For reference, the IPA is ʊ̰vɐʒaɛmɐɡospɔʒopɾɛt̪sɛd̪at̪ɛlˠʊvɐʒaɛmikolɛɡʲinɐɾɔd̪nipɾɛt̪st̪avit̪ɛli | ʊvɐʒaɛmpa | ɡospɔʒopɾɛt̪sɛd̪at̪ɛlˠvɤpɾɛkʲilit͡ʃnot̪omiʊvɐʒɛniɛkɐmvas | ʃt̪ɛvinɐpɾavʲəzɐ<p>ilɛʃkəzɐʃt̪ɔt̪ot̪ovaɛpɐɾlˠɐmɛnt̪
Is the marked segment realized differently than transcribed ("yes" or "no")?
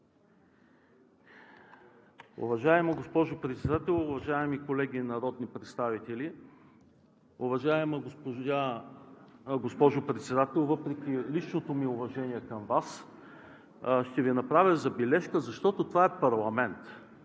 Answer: yes